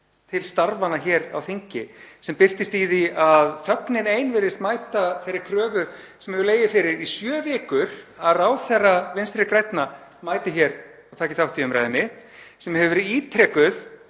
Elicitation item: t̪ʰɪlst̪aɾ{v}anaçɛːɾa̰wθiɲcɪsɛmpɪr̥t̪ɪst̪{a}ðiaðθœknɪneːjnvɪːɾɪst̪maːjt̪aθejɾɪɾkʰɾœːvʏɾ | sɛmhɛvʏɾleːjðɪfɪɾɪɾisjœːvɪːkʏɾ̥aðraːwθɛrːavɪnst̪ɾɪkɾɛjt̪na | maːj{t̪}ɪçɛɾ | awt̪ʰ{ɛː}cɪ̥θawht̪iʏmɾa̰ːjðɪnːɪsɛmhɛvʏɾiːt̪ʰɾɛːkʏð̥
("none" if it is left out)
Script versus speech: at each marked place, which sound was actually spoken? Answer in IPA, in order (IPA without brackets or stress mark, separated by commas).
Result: v, i, t̪, aː